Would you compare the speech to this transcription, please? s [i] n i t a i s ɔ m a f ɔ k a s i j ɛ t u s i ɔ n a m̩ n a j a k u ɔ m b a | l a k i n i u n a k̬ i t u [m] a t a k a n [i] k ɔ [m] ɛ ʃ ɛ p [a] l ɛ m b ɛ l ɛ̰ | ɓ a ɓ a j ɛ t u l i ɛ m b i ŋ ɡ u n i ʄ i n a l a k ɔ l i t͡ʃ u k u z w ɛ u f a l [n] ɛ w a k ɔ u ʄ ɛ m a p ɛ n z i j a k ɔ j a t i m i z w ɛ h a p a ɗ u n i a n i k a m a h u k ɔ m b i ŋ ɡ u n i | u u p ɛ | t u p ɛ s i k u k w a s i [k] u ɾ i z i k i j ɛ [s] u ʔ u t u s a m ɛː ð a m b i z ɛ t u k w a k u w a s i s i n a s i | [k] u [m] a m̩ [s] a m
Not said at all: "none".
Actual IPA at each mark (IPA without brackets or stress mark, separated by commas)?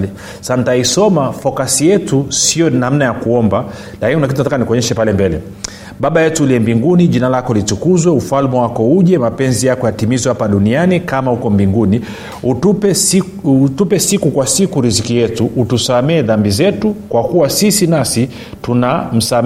a, n, i, ɲ, a, m, k, t, t, n, s